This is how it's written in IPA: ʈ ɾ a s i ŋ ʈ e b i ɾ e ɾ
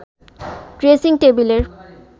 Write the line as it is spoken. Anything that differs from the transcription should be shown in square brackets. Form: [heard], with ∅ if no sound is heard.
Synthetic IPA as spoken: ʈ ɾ [e] s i ŋ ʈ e b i [l] e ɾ

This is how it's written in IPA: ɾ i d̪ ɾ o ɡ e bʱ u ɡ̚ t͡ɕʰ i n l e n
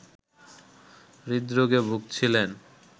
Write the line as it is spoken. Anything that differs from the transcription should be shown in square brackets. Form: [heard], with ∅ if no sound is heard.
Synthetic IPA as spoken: ɾ i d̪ ɾ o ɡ e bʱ u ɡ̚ t͡ɕʰ i [∅] l e n

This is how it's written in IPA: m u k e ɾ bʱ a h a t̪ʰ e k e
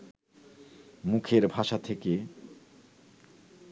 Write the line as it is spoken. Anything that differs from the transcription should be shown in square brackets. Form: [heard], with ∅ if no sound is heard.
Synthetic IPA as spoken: m u [kʰ] e ɾ bʱ a [ʃ] a t̪ʰ e k e

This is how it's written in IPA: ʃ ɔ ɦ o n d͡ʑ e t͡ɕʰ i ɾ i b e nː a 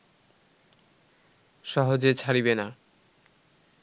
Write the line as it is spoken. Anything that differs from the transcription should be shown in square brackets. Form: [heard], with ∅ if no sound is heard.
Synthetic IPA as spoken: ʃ ɔ ɦ o [∅] d͡ʑ e t͡ɕʰ [a] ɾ i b e [n] a

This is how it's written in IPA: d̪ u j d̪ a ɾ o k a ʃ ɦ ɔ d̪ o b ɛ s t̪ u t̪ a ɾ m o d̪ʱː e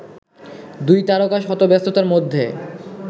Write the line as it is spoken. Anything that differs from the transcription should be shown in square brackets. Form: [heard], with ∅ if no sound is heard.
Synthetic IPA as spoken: d̪ u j [t̪] a ɾ o k a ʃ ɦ ɔ [t̪] o b ɛ s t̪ [o] t̪ a ɾ m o d̪ʱː e

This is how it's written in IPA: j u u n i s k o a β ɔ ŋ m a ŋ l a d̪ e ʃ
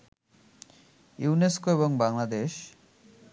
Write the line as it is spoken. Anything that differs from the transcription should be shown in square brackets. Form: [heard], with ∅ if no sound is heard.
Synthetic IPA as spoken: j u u n [e] s k o [e] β [o] ŋ [b] a ŋ l a d̪ e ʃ

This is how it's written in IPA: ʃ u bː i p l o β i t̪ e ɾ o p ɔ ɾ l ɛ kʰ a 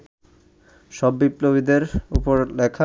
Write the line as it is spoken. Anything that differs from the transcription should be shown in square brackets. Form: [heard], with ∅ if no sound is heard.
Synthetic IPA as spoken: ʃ [ɔ] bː i p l o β i [d̪] e ɾ [u] p [o] ɾ l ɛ kʰ a

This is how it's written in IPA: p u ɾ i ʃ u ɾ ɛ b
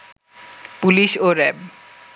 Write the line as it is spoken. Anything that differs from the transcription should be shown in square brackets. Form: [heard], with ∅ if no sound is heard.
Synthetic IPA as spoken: p u [l] i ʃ [o] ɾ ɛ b

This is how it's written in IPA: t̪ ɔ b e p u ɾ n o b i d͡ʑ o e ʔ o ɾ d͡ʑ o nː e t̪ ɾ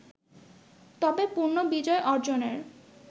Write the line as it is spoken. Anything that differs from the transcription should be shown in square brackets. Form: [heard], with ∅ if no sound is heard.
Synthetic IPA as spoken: t̪ ɔ b e p u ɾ n o b i d͡ʑ [ɔ] e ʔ [ɔ] ɾ d͡ʑ o [n] e [∅] ɾ

